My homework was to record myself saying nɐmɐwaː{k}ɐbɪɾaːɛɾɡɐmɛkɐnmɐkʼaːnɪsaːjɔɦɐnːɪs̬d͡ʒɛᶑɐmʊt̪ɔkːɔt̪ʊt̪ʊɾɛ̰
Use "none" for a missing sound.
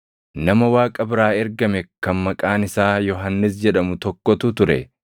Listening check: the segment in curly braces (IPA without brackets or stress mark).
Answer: kʼ